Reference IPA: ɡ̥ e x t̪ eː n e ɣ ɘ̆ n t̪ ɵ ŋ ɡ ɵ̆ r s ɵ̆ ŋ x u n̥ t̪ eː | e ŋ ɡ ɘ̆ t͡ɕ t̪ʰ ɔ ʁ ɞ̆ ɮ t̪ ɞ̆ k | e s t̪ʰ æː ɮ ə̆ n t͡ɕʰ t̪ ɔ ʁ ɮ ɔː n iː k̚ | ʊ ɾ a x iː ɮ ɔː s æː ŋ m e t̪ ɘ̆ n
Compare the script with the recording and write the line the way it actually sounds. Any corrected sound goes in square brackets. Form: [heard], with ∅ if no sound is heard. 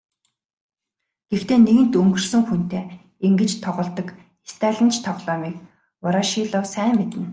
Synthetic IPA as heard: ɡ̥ e x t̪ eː n e ɣ ɘ̆ n t̪ ɵ ŋ ɡ ɵ̆ r s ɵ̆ ŋ x u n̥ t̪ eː | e ŋ ɡ ɘ̆ t͡ɕ t̪ʰ ɔ ʁ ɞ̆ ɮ t̪ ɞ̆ k | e s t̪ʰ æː ɮ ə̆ n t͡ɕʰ [t̪ʰ] ɔ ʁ ɮ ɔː [m] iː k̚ | ʊ ɾ a [ʃ] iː ɮ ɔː s æː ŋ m e t̪ ɘ̆ n

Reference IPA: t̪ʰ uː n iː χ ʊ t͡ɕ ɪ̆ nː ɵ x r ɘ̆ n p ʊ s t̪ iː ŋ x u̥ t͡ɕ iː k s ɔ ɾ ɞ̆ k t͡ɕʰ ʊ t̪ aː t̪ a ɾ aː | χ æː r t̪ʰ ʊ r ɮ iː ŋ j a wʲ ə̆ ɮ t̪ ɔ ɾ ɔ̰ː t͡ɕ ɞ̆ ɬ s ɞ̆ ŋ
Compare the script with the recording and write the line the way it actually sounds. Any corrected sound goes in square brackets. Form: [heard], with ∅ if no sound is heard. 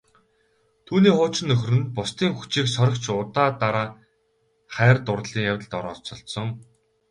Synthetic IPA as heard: t̪ʰ uː n iː χ [ʊː] t͡ɕ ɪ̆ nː ɵ x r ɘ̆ n p ʊ s t̪ iː ŋ x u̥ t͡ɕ iː k s ɔ ɾ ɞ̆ k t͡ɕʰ ʊ t̪ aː t̪ a ɾ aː | χ æː r [t̪] ʊ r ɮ iː ŋ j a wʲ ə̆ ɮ t̪ ɔ ɾ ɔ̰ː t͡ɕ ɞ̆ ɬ s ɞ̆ ŋ

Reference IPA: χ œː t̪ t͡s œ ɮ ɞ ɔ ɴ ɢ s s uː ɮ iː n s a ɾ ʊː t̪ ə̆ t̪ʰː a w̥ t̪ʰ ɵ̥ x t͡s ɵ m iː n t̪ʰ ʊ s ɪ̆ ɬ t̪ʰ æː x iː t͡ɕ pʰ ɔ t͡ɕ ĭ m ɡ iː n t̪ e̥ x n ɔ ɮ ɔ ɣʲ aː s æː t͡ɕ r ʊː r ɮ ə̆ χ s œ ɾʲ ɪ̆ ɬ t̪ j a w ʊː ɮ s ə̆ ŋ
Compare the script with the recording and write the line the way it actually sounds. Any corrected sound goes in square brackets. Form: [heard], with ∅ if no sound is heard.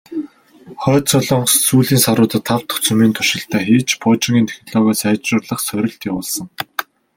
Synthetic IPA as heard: χ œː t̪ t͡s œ ɮ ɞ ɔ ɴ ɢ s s uː ɮ iː n s a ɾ ʊː t̪ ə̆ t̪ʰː a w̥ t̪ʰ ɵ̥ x t͡s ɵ m iː n t̪ʰ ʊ [ʃ] ɪ̆ ɬ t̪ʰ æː x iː t͡ɕ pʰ ɔ t͡ɕ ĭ [ŋ] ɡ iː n [t̪ʰ] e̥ x n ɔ ɮ ɔ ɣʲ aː s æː t͡ɕ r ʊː r ɮ ə̆ χ s œ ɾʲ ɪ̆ ɬ t̪ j a w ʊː ɮ s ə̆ ŋ

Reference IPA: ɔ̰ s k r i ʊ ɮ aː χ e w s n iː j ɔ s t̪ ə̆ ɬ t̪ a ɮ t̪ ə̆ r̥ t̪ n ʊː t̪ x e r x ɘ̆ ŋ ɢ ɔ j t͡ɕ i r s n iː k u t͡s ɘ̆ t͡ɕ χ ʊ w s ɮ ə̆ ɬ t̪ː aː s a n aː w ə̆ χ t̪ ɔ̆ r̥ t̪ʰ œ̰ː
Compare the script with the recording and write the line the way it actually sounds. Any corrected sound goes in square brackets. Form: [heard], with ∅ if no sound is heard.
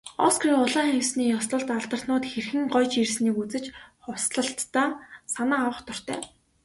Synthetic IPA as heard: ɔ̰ s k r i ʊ ɮ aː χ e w s n iː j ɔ s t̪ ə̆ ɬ t̪ a ɮ t̪ ə̆ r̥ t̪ n ʊː t̪ x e r x ɘ̆ ŋ ɢ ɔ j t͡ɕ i r s n iː k u t͡s ɘ̆ t͡ɕ χ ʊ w s ɮ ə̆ ɬ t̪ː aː s a n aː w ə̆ χ t̪ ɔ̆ r̥ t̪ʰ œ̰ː

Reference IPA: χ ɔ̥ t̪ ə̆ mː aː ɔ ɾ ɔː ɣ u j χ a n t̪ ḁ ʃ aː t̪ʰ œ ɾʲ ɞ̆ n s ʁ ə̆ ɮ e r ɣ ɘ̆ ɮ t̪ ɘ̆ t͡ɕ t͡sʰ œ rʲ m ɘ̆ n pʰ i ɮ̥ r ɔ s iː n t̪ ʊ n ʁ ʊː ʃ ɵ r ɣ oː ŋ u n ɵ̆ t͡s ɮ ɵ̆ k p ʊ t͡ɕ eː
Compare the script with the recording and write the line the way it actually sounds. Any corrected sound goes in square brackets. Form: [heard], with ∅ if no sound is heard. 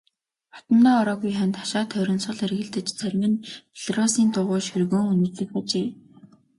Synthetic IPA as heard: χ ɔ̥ t̪ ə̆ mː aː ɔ ɾ ɔː ɣ u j χ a n t̪ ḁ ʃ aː t̪ʰ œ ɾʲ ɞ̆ n s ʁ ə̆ ɮ e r ɣ ɘ̆ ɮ t̪ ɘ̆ t͡ɕ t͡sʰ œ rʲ m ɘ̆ n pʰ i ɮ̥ r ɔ s iː n t̪ ʊ [∅] ʁ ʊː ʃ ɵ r ɣ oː ŋ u n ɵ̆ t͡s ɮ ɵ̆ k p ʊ t͡ɕ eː

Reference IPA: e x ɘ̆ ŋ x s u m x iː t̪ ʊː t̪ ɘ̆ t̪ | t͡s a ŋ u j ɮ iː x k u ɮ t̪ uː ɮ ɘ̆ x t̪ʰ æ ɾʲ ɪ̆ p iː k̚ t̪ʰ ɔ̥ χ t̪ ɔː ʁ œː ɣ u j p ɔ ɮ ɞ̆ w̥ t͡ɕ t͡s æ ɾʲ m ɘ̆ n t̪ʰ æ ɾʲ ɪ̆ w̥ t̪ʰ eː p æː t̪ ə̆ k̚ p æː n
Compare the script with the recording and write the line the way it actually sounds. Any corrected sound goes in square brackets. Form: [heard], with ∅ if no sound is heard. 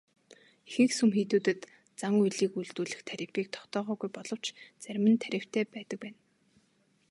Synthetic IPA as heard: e x ɘ̆ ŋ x s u m x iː t̪ [uː] t̪ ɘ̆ t̪ | t͡s a ŋ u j ɮ iː [∅] k u ɮ t̪ uː ɮ ɘ̆ x t̪ʰ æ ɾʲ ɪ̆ p iː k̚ t̪ʰ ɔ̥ χ t̪ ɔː ʁ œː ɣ u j p ɔ ɮ ɞ̆ w̥ t͡ɕ t͡s æ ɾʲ m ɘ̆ n t̪ʰ æ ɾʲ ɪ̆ w̥ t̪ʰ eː p æː t̪ ə̆ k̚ p æː n

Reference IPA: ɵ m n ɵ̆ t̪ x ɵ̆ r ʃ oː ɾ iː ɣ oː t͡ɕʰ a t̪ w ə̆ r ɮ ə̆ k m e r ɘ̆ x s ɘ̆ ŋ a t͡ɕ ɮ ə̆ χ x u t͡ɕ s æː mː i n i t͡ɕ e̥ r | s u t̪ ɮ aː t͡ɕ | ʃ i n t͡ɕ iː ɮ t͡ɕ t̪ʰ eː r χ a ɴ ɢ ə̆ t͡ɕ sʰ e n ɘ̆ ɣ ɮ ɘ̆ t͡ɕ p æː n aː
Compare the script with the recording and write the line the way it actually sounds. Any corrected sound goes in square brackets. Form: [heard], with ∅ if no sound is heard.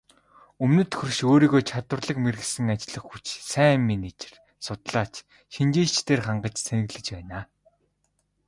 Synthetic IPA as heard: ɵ m n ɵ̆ t̪ x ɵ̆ r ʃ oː ɾ iː ɣ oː t͡ɕʰ a t̪ w ə̆ r ɮ ə̆ k m e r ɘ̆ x s ɘ̆ ŋ a t͡ɕ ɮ ə̆ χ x u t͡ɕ s æː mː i n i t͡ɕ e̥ r | s [ʊ] t̪ ɮ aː t͡ɕ | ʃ i n t͡ɕ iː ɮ t͡ɕ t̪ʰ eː r χ a ɴ ɢ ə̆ t͡ɕ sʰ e n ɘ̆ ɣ ɮ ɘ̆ t͡ɕ p æː n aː

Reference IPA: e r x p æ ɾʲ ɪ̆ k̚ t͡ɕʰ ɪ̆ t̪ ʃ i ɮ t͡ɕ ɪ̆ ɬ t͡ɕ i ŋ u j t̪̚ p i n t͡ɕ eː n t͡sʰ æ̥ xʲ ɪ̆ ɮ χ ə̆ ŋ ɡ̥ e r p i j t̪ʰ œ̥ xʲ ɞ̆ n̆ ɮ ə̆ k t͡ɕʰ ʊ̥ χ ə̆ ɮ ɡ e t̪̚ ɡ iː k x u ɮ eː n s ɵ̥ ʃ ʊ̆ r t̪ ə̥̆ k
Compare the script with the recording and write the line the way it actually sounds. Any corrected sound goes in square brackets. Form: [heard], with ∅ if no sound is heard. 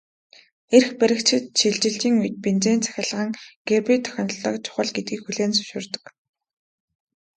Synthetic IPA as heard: e r x p æ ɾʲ ɪ̆ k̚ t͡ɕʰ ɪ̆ t̪ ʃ i ɮ t͡ɕ ɪ̆ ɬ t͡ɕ [iː] ŋ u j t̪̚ p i n t͡ɕ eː n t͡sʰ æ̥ xʲ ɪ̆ ɮ [ʁ] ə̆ ŋ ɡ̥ e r p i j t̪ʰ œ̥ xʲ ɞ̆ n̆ ɮ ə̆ k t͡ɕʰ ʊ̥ χ ə̆ ɮ ɡ e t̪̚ ɡ iː k x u ɮ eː n s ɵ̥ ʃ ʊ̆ r t̪ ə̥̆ k

